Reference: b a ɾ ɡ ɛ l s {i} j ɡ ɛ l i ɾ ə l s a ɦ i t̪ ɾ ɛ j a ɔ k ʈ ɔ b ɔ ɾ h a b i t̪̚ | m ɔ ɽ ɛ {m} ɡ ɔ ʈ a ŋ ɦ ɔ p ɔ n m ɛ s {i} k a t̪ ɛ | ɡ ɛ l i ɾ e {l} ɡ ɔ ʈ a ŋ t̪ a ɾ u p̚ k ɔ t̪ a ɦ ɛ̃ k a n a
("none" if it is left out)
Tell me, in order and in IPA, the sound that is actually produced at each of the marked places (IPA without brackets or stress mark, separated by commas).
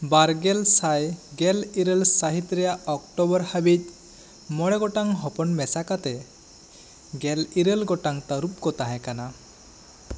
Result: a, none, a, l